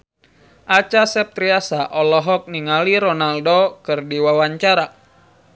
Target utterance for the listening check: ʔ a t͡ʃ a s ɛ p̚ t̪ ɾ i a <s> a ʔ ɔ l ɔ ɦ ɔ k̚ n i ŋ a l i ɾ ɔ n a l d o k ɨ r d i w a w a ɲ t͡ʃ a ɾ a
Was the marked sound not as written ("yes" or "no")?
no